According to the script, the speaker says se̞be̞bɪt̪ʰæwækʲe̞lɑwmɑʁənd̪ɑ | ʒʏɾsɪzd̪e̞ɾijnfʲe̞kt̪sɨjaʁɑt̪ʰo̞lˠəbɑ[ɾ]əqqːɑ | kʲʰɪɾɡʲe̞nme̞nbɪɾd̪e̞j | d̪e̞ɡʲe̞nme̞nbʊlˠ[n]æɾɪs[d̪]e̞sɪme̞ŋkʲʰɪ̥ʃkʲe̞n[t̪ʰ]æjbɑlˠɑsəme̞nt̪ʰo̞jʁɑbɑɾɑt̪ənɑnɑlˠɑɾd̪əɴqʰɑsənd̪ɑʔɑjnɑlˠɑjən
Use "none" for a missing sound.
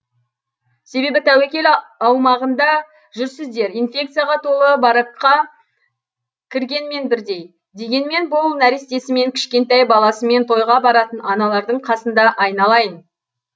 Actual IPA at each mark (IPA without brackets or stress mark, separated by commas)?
ɾ, n, t̪, t̪